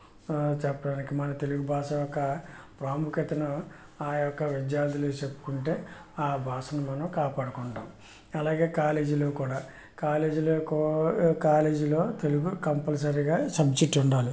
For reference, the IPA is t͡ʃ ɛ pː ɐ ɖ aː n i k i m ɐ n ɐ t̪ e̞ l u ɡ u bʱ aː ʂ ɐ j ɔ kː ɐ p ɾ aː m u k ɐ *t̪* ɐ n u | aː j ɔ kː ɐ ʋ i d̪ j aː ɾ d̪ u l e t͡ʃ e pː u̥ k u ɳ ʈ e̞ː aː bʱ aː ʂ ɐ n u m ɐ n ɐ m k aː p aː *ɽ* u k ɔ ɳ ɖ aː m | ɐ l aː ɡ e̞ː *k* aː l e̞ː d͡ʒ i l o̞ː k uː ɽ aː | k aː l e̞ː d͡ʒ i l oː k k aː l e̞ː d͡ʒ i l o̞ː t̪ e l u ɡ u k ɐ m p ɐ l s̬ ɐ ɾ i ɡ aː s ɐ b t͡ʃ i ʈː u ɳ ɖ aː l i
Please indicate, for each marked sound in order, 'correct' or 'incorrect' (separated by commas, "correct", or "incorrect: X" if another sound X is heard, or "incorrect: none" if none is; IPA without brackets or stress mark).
correct, correct, correct